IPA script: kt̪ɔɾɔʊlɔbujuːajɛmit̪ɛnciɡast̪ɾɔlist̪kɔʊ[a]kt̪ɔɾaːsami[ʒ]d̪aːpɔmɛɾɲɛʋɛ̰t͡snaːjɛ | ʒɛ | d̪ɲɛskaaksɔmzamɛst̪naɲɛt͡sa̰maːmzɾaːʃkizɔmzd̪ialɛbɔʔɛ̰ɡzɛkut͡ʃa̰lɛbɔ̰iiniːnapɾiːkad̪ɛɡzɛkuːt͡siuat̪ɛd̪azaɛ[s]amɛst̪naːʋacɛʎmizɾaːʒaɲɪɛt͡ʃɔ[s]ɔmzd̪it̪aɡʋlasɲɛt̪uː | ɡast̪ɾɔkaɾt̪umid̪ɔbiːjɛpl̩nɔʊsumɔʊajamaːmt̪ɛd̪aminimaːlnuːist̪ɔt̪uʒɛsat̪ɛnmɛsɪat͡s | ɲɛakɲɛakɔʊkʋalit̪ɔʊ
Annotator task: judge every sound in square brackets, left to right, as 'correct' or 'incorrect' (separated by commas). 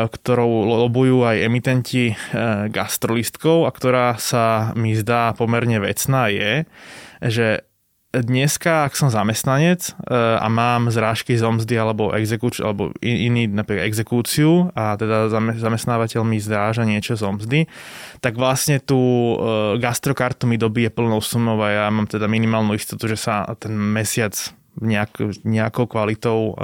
correct, incorrect, incorrect, incorrect